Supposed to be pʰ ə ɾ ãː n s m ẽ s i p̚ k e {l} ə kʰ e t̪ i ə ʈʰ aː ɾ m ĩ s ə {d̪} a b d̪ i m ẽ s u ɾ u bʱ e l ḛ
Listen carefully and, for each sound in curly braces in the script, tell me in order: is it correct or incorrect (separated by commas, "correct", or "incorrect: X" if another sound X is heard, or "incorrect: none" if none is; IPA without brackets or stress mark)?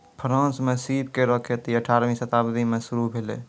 incorrect: ɾ, incorrect: t̪